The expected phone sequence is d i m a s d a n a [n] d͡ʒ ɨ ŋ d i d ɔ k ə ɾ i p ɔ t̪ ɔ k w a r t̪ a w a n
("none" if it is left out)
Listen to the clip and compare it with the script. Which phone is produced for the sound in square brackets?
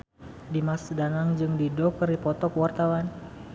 ŋ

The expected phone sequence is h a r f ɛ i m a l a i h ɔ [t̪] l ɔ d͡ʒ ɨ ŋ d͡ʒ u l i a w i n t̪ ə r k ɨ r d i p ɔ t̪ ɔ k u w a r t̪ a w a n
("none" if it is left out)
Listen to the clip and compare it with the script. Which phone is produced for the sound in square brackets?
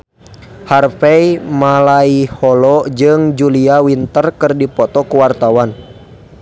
none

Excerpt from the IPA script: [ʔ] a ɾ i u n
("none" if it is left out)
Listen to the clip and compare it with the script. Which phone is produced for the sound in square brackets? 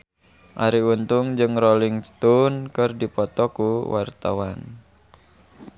ʔ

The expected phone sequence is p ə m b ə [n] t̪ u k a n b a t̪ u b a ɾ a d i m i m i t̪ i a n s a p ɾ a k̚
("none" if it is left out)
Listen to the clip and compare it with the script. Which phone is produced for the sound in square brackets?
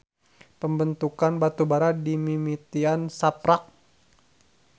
n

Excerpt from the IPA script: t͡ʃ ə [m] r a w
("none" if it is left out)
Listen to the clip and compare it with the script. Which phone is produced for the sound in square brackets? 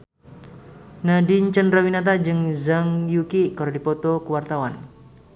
n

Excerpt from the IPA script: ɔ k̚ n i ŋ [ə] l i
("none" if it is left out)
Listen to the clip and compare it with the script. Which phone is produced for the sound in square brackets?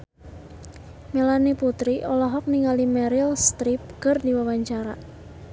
a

